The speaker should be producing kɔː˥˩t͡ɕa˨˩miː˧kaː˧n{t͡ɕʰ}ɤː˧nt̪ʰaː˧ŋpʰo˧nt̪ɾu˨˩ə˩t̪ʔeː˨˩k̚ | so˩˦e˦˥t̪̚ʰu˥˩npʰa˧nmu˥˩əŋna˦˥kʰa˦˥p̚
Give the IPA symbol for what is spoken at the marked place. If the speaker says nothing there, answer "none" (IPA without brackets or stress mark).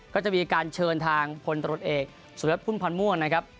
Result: t͡ɕʰ